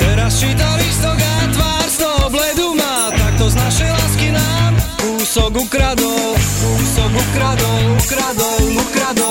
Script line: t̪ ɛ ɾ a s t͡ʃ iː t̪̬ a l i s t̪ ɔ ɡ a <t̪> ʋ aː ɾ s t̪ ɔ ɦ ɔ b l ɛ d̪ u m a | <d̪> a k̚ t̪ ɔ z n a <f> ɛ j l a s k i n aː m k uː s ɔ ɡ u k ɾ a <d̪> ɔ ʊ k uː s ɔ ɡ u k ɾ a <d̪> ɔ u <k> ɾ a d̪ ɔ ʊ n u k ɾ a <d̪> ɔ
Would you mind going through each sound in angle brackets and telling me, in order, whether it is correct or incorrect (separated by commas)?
correct, incorrect, incorrect, correct, correct, correct, correct